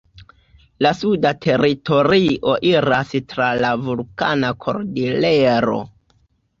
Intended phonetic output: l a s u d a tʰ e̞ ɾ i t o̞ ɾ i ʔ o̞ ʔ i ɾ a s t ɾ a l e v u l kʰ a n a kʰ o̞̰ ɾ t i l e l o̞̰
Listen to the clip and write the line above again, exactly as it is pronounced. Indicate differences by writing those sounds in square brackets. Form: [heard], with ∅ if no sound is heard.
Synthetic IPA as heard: l a s u d a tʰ e̞ ɾ i t o̞ ɾ i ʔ o̞ ʔ i ɾ a s t ɾ a l [a] v u l [k] a n a kʰ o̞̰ ɾ [d] i l e [ɾ] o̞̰